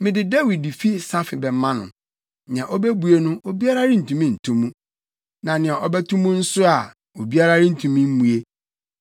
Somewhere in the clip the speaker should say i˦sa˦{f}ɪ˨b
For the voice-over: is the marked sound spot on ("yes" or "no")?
yes